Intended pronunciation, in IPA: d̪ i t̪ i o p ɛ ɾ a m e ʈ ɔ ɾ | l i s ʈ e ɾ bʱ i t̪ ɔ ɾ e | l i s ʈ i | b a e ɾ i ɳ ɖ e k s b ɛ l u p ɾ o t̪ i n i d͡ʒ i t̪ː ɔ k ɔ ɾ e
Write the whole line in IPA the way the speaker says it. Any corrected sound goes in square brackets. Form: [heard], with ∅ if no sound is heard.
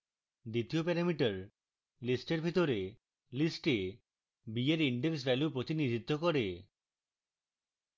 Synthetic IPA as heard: d̪ i t̪ i o p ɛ ɾ a m [i] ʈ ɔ ɾ | l i s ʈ e ɾ bʱ i t̪ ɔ ɾ e | l i s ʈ [e] | b [i] e ɾ i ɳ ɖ e k s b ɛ l u p ɾ o t̪ i n i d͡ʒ i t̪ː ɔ k ɔ ɾ e